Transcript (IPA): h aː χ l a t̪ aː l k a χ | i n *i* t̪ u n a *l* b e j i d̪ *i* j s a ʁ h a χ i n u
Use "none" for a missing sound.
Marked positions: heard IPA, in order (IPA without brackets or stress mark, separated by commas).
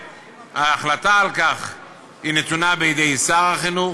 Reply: e, none, e